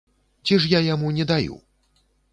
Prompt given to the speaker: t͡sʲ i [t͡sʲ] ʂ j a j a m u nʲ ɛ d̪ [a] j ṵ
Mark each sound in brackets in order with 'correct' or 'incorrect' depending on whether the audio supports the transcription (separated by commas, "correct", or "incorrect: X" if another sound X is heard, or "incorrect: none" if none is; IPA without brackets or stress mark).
incorrect: none, correct